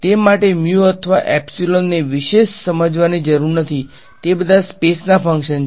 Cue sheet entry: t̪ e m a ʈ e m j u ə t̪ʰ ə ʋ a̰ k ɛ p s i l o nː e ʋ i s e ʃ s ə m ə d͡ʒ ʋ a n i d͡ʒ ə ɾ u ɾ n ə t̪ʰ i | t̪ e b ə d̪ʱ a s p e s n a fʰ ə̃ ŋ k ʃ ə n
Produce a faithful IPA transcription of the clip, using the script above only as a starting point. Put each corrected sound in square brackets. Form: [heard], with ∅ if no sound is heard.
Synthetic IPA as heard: t̪ e m a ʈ e m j u ə t̪ʰ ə ʋ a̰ [ʔ] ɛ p s i l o nː e ʋ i [ʃ] e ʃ s ə m ə d͡ʒ ʋ a n i d͡ʒ ə ɾ u ɾ n ə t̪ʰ i | t̪ e b ə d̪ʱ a s p e s n a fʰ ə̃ ŋ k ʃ ə n